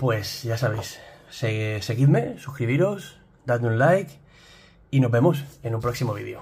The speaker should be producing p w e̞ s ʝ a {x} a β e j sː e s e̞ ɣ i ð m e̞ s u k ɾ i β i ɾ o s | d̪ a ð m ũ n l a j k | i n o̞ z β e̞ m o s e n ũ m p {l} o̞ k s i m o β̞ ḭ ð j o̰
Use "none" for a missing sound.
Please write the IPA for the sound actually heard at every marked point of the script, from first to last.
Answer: s, ɾ

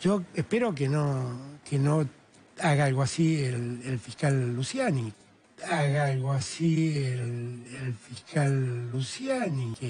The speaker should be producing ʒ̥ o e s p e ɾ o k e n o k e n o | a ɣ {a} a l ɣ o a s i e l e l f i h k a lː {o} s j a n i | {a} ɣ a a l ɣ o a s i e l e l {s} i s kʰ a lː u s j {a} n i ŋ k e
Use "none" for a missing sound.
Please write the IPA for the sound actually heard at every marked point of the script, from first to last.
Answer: a, u, a, f, a

